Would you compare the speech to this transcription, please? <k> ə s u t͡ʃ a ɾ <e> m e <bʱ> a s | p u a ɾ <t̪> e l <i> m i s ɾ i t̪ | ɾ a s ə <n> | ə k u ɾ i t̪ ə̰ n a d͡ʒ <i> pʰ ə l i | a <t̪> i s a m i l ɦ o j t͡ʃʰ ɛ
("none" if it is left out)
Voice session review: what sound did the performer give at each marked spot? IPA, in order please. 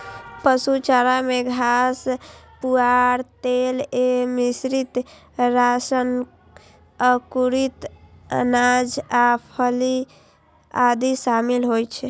p, a, ɡʱ, t̪, e, n, a, d̪

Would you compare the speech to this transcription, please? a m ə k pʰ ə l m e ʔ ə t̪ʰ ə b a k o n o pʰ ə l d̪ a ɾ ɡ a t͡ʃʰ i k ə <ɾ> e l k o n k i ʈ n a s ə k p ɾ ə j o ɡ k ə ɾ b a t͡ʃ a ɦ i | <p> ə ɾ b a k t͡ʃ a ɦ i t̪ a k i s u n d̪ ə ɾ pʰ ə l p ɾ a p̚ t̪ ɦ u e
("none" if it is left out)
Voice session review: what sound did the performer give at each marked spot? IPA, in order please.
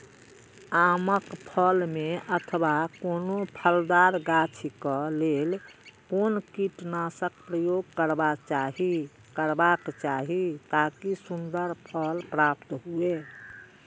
l, k

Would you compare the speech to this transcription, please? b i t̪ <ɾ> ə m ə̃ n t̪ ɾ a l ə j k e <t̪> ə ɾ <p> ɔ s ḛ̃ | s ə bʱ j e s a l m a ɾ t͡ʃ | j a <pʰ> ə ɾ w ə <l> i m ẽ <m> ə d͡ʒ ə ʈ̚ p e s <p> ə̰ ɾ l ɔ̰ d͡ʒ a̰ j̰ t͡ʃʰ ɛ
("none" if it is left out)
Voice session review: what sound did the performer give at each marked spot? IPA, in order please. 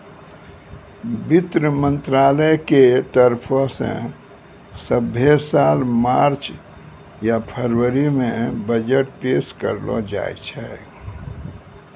ɾ, t̪, pʰ, pʰ, ɾ, b, k

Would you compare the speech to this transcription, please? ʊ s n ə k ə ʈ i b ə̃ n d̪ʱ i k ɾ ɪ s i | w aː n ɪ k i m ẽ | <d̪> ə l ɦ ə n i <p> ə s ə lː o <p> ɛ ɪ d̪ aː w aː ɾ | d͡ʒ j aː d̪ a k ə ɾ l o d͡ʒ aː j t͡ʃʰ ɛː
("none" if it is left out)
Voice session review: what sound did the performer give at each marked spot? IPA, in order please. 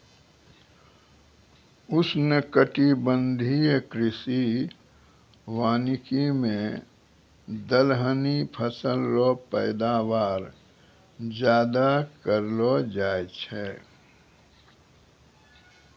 d̪, pʰ, p

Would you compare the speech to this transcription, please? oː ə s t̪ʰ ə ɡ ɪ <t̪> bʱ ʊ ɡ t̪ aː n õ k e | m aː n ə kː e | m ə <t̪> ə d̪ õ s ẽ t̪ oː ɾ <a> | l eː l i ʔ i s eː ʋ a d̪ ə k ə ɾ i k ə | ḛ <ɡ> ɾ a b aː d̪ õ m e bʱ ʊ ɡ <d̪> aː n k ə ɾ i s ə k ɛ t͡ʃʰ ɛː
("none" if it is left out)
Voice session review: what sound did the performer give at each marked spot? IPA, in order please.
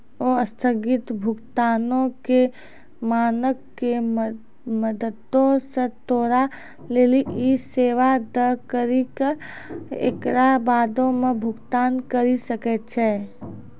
t̪, d̪, a, k, t̪

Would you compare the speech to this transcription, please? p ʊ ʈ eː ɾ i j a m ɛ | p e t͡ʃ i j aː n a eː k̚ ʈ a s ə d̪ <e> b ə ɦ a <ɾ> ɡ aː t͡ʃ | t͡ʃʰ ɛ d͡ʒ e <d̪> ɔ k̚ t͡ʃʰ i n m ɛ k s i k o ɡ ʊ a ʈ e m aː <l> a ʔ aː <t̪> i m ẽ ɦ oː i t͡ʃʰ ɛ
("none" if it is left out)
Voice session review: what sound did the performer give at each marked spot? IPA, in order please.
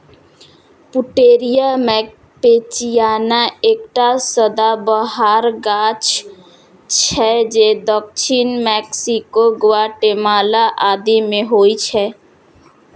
a, ɾ, d̪, l, d̪

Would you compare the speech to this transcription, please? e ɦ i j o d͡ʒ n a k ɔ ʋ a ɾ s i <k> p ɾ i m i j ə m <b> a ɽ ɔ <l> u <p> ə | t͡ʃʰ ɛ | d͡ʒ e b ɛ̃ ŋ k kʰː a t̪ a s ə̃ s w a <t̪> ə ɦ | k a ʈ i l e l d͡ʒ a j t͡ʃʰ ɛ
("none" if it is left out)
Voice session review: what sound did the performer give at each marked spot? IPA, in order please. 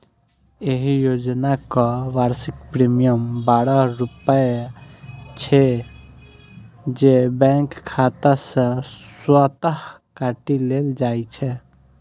k, b, ɾ, p, t̪

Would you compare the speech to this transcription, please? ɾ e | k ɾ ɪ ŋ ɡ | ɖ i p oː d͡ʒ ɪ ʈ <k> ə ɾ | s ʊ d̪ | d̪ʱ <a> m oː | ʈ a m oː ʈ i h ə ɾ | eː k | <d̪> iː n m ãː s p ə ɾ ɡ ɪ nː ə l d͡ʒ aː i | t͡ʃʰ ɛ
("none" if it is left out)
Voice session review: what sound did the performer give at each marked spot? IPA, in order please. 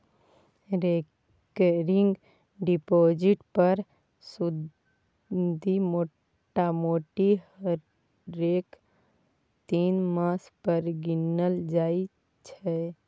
p, i, t̪

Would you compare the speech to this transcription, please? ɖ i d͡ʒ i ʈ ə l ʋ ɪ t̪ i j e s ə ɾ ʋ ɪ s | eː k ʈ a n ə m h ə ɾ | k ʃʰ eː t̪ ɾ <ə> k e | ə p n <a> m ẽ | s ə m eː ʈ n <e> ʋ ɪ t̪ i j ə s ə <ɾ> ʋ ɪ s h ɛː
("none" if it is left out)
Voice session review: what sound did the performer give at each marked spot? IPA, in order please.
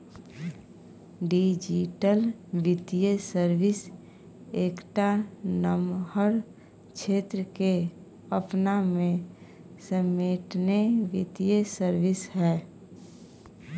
ə, a, e, ɾ

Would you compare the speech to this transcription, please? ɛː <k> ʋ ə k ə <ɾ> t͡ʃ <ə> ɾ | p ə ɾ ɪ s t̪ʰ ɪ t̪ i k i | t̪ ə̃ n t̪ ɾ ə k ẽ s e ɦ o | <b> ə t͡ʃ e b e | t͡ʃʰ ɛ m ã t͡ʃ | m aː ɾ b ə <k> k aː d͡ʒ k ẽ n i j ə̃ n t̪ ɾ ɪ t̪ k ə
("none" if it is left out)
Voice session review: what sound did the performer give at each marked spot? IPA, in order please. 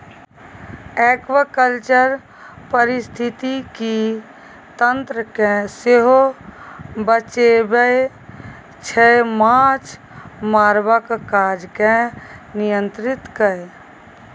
k, l, ə, b, k

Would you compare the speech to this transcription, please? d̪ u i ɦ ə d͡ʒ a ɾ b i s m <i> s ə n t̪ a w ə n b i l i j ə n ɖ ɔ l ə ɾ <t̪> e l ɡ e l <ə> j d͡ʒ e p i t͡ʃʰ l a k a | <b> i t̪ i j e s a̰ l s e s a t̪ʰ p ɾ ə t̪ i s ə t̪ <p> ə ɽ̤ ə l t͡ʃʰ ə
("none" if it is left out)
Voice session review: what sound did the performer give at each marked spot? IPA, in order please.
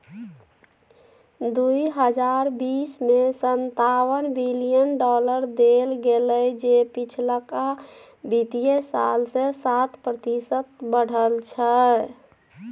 e, d̪, ə, b, b

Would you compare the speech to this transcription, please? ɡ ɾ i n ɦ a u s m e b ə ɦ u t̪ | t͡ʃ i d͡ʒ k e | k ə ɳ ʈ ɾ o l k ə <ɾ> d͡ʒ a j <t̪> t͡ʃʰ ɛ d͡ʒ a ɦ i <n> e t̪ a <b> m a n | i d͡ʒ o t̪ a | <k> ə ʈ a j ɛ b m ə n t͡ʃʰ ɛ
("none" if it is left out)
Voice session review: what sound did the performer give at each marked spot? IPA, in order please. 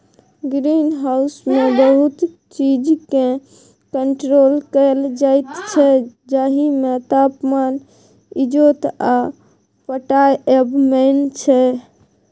l, t̪, m, p, p

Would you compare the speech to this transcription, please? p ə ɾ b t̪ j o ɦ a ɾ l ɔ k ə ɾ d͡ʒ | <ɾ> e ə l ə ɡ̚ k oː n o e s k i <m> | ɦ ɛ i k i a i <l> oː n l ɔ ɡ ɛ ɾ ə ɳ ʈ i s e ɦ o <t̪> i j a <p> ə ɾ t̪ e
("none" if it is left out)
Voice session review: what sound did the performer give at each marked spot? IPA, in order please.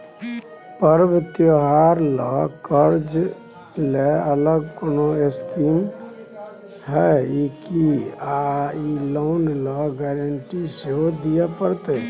l, m, l, d̪, p

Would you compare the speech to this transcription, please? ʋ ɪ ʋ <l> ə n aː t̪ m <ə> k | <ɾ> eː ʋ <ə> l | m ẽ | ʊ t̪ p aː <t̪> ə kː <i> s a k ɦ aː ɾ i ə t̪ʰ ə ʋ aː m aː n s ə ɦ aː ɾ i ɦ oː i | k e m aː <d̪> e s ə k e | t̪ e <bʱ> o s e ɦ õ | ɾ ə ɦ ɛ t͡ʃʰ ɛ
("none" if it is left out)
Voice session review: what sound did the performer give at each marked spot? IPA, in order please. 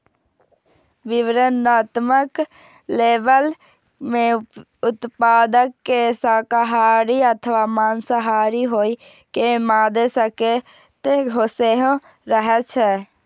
ɾ, ə, l, ə, d̪, e, d̪, ɡʱ

